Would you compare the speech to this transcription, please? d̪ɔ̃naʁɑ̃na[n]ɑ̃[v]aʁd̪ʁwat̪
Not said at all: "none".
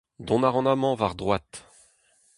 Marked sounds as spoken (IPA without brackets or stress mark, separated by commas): m, v